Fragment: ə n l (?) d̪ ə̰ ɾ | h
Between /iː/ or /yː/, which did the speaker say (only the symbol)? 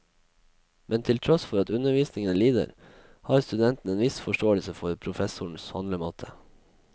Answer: iː